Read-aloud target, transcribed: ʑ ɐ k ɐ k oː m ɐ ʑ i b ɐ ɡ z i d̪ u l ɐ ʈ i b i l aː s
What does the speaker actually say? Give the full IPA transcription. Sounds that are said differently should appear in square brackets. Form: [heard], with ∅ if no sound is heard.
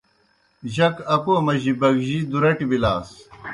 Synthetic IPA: ʑ ɐ k ɐ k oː m ɐ ʑ i b ɐ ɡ [ʑ] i d̪ u [ɾ] ɐ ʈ i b i l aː s